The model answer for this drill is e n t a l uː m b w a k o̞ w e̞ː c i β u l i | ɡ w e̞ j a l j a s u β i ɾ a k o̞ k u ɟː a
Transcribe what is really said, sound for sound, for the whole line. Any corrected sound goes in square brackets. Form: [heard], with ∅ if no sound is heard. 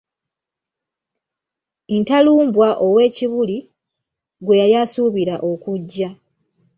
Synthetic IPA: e n t a l uː m b w a [ʔ] o̞ w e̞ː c i β u l i | ɡ w e̞ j a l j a s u β i ɾ a [ʔ] o̞ k u ɟː a